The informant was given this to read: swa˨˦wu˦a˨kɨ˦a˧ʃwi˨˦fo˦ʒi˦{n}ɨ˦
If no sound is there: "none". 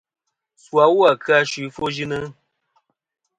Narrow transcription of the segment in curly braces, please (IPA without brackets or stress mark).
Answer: n